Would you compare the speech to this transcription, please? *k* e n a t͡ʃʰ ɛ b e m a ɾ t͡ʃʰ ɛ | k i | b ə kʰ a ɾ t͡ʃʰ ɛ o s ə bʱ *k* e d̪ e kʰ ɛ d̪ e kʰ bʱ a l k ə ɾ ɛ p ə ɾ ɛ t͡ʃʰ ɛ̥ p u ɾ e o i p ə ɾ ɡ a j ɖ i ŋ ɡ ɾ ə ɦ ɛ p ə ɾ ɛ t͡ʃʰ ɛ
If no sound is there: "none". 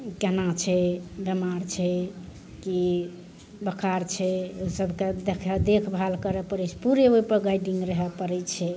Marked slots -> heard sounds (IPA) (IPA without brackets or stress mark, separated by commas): k, k